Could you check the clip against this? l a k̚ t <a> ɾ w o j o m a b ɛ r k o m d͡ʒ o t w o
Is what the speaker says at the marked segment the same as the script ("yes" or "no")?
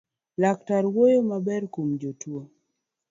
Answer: yes